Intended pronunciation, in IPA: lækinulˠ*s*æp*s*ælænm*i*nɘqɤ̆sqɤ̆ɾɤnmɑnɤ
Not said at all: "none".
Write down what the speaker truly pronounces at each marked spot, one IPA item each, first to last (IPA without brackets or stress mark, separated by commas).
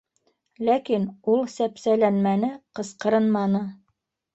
s, s, æ